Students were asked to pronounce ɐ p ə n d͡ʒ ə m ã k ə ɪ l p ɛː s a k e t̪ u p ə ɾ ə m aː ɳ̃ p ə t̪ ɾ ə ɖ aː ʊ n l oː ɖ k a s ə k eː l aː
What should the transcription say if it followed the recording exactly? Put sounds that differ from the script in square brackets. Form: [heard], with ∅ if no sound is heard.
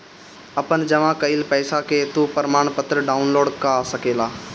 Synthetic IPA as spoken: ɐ p ə n d͡ʒ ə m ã k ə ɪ l p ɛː s a k e t̪ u p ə ɾ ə m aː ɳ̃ p ə t̪ ɾ ə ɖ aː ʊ n l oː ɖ k a s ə k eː l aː